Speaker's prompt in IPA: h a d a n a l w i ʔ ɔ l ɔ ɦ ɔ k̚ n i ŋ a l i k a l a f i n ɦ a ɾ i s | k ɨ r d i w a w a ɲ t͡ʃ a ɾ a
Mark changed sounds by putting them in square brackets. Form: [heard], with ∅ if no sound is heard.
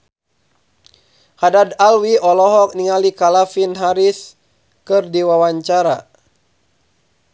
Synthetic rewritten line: h a d a [d] a l w i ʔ ɔ l ɔ ɦ ɔ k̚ n i ŋ a l i k a l a f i n ɦ a ɾ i s | k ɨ r d i w a w a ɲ t͡ʃ a ɾ a